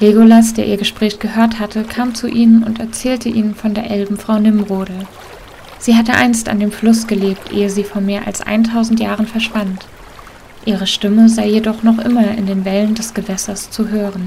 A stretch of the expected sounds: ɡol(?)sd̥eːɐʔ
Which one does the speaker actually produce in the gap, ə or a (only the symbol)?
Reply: a